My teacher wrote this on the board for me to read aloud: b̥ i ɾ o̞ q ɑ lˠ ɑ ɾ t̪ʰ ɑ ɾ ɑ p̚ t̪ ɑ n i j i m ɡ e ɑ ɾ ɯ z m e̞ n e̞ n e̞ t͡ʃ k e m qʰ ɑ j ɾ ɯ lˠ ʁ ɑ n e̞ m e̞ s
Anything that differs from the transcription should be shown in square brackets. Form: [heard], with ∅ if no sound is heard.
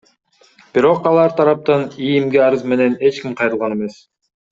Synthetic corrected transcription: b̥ i ɾ o̞ q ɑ lˠ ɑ ɾ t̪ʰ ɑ ɾ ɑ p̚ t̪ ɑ n i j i m ɡ e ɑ ɾ ɯ z m e̞ n e̞ n e̞ t͡ʃ k [i] m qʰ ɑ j ɾ ɯ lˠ ʁ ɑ n e̞ m e̞ s